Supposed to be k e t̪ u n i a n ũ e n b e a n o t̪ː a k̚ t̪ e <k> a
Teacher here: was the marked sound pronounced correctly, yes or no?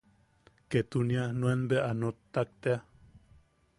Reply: no